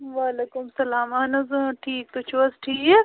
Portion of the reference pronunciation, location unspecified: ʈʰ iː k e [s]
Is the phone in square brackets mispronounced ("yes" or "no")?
yes